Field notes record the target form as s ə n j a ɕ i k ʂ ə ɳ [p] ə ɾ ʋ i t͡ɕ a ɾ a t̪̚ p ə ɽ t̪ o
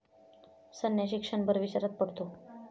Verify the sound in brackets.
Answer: incorrect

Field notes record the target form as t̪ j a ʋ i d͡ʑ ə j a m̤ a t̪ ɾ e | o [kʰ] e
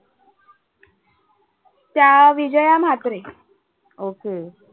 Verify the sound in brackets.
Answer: incorrect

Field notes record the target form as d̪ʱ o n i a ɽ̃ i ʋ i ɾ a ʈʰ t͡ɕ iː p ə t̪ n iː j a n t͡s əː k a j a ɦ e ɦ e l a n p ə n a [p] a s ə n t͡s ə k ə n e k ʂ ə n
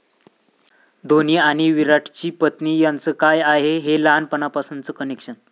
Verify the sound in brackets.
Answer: correct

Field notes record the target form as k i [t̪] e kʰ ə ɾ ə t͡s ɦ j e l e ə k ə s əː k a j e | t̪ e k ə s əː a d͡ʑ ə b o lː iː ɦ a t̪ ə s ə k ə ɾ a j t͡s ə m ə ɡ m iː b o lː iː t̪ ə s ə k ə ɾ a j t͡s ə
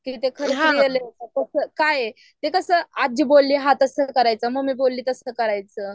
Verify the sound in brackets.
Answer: correct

